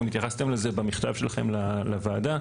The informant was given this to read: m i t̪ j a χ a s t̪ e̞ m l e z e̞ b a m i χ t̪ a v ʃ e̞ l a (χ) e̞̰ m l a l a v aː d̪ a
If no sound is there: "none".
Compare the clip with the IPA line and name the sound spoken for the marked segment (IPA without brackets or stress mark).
χ